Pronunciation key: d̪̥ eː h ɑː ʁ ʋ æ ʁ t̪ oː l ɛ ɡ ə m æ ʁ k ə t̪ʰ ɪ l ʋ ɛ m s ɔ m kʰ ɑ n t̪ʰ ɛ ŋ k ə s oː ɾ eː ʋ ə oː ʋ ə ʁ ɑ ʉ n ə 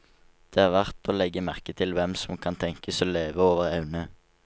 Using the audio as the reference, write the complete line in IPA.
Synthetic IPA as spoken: d̪̥ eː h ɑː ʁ ʋ æ ʁ t̪ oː l ɛ ɡ ə m æ ʁ k ə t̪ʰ ɪ l ʋ ɛ m s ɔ m kʰ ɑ n t̪ʰ ɛ ŋ k ə s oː l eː ʋ ə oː ʋ ə ʁ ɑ ʉ n ə